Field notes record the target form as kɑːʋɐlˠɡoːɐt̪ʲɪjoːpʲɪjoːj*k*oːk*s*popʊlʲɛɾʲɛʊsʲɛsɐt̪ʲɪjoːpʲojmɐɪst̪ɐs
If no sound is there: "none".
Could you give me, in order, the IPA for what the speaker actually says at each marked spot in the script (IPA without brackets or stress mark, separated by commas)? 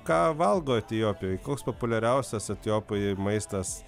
k, s